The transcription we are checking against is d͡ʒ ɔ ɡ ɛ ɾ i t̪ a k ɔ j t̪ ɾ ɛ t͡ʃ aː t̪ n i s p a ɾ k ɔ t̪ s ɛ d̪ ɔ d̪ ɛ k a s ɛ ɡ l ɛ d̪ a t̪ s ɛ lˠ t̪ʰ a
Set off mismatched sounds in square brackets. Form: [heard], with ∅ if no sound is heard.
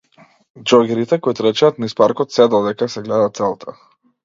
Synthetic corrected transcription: d͡ʒ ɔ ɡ ɛ ɾ i t̪ [ɛ] k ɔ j t̪ ɾ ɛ t͡ʃ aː t̪ n i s p a ɾ k ɔ t̪ s ɛ d̪ ɔ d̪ ɛ k a s ɛ ɡ l ɛ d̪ a t̪ s ɛ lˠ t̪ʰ a